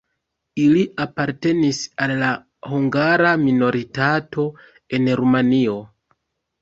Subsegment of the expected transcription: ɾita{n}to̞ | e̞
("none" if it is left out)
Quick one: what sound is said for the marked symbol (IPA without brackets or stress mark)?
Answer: none